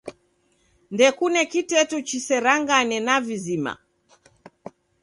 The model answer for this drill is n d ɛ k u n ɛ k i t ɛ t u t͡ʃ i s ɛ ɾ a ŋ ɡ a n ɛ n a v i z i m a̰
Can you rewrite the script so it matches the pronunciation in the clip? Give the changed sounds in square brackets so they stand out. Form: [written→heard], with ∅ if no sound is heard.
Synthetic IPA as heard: n d ɛ k u n ɛ k i t ɛ t u t͡ʃ i s ɛ ɾ a ŋ ɡ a n ɛ n a v i z i m a̰

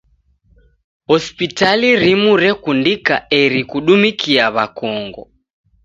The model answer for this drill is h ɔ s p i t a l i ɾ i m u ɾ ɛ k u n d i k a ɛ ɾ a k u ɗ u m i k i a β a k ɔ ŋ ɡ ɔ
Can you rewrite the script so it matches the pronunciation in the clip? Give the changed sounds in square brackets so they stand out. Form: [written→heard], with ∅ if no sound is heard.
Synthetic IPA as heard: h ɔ s p i t a l i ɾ i m u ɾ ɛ k u n d i k a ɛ ɾ [a→i] k u ɗ u m i k i a β a k ɔ ŋ ɡ ɔ

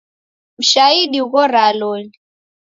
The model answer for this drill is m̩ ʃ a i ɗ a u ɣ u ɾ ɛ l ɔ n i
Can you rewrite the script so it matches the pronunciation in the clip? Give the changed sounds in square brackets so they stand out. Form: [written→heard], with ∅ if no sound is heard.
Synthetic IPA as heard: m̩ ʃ a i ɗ [a→i] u ɣ [u→ɔ] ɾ [ɛ→a] l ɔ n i

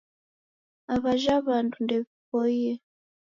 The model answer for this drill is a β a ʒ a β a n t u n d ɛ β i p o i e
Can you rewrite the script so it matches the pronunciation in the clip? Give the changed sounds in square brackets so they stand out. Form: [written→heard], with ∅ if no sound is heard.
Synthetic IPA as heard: a β a ʒ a β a n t u n d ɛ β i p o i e

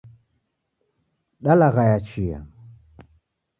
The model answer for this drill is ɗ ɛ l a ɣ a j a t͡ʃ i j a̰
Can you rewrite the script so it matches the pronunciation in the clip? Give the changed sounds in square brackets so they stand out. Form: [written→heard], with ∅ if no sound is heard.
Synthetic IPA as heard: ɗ [ɛ→a] l a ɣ a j a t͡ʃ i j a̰

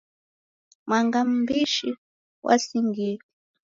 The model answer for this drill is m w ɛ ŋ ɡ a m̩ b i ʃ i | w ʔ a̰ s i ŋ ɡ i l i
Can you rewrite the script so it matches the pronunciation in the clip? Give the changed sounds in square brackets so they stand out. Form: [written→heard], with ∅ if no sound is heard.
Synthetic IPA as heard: m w [ɛ→a] ŋ ɡ a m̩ b i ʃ i | w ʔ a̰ s i ŋ ɡ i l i

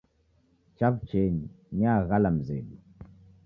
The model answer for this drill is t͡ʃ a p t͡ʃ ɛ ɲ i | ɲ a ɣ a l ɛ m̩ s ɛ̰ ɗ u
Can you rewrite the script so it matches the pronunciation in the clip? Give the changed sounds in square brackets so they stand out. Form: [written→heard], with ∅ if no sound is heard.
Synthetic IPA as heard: t͡ʃ a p t͡ʃ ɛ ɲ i | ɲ a ɣ a l [ɛ→a] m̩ [s→z] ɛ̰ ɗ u

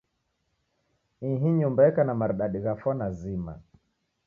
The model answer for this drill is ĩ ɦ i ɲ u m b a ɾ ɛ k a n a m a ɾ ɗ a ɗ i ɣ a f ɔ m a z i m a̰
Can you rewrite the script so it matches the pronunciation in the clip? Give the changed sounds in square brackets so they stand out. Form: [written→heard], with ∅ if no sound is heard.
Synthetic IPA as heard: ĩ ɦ i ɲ u m b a [ɾ→∅] ɛ k a n a m a ɾ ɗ a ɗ i ɣ a f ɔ [m→n] a z i m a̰

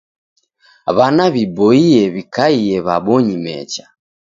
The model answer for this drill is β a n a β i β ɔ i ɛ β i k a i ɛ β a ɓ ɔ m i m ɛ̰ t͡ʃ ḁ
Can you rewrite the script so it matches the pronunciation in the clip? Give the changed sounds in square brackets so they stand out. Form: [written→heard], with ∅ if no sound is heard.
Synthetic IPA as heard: β a n a β i [β→b] ɔ i ɛ β i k a i ɛ β a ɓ ɔ [m→ɲ] i m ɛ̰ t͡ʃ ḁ

